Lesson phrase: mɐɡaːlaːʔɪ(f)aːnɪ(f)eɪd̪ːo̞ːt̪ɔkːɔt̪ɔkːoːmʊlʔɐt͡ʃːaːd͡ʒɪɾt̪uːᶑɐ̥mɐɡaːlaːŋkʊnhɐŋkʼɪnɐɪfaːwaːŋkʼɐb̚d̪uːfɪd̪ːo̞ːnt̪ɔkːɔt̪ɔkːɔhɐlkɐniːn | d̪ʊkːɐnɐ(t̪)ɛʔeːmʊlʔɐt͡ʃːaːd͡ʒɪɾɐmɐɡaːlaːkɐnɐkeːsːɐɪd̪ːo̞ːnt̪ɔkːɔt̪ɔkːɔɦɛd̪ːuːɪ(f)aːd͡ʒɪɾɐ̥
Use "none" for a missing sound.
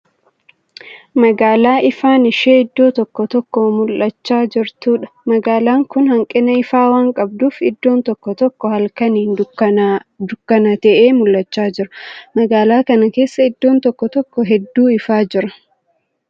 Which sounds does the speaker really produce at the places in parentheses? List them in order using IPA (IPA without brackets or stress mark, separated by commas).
f, ʃ, t̪, f